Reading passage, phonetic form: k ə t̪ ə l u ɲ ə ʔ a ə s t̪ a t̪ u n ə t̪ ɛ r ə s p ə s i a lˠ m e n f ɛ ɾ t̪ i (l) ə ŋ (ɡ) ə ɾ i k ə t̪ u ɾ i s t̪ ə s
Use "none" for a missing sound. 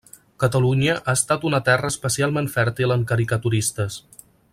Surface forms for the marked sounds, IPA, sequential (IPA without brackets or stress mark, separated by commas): l, k